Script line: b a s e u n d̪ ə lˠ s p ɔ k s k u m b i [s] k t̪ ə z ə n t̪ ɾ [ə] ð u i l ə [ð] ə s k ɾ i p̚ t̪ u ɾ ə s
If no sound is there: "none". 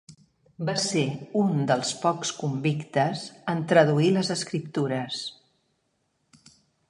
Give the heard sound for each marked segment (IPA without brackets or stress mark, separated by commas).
none, ə, z